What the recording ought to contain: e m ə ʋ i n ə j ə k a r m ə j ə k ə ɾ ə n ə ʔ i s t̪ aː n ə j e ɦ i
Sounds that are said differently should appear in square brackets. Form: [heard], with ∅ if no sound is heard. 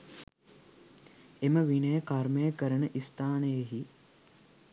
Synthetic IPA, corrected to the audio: e m ə ʋ i n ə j ə k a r m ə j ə k ə ɾ ə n ə ʔ i s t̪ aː n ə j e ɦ i